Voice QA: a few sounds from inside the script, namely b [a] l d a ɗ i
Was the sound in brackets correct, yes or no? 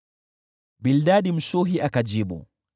no